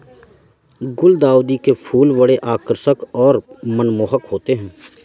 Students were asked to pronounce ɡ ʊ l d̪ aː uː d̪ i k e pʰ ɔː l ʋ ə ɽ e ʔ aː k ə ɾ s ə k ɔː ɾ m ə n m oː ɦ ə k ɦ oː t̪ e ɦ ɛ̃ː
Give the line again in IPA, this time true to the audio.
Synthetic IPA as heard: ɡ ʊ l d̪ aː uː d̪ i k e pʰ uː l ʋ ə ɽ e ʔ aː k ə ɾ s ə k ɔː ɾ m ə n m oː ɦ ə k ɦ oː t̪ e ɦ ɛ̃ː